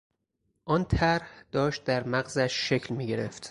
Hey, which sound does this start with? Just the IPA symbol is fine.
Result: ʔ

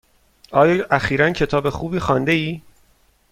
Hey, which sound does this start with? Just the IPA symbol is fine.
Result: ɒː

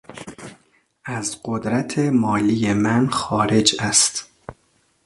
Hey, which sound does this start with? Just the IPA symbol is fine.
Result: æ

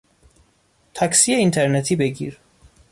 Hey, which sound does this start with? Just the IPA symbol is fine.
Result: t̪ʰ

